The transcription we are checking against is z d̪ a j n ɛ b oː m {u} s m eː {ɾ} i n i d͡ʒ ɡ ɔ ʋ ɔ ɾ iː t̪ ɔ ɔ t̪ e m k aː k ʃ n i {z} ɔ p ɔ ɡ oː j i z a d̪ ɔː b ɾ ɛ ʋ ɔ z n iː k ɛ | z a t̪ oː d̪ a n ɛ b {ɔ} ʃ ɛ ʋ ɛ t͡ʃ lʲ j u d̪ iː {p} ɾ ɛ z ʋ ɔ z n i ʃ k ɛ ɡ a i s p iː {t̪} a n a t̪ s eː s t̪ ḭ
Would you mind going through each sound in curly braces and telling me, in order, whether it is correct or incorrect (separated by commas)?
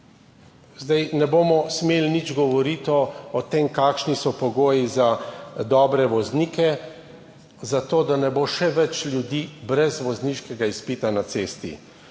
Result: incorrect, incorrect, incorrect, incorrect, incorrect, correct